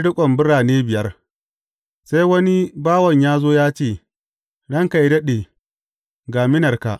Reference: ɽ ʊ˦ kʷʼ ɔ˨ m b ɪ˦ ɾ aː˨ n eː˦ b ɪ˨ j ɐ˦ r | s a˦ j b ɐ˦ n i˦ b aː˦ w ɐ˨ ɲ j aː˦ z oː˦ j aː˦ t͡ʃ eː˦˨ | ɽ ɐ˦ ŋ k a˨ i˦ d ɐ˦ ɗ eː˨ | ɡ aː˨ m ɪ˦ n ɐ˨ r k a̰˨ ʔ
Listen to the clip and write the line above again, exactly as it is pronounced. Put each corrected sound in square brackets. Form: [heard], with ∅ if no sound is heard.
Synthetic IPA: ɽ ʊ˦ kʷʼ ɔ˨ m b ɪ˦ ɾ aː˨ n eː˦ b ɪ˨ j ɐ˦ r | s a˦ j [w] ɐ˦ n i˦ b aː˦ w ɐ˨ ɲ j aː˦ z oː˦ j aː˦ t͡ʃ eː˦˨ | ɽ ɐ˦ ŋ k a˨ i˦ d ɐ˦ ɗ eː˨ | ɡ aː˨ m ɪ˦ n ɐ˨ r k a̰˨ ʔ